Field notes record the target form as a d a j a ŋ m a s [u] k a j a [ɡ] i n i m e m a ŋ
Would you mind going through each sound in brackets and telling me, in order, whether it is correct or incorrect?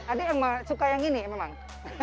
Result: correct, incorrect

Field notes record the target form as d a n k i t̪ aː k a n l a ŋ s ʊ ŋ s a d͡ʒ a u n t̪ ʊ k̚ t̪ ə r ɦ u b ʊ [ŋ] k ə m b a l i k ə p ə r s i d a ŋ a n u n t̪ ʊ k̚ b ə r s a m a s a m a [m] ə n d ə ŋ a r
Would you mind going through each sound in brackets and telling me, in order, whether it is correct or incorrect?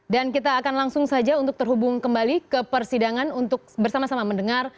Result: correct, correct

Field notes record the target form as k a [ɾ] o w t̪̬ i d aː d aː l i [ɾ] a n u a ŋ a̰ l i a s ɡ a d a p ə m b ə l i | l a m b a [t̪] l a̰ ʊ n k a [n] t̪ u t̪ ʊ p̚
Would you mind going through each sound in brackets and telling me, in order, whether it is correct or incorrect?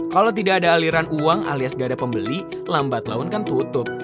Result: incorrect, correct, correct, correct

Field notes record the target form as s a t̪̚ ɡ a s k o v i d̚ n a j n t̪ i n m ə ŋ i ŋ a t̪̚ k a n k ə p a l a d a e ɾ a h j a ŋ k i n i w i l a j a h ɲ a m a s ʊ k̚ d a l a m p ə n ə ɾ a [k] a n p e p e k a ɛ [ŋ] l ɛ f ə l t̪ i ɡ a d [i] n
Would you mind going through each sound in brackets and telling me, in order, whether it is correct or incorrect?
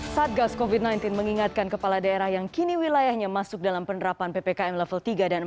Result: incorrect, incorrect, incorrect

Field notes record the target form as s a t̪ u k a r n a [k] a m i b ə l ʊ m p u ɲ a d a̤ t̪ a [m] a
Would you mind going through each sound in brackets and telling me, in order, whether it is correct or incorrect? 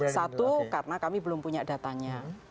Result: correct, incorrect

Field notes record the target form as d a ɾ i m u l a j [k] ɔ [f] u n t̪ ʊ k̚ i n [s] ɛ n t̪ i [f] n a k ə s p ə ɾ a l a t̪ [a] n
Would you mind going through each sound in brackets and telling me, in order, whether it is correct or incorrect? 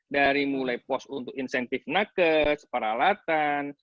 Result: incorrect, incorrect, correct, correct, correct

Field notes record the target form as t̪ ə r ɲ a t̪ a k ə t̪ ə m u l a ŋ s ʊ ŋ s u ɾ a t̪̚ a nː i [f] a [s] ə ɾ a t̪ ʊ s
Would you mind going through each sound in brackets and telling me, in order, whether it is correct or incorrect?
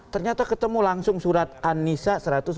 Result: incorrect, correct

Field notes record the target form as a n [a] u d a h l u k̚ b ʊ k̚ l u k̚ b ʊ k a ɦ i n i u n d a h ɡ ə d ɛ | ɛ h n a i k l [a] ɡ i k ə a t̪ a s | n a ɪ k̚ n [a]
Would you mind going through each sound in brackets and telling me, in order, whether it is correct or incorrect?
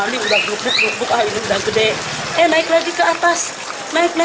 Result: incorrect, correct, correct

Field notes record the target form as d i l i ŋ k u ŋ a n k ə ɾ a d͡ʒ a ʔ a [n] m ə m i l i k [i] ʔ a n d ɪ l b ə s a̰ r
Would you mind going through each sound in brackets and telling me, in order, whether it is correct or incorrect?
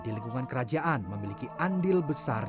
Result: correct, correct

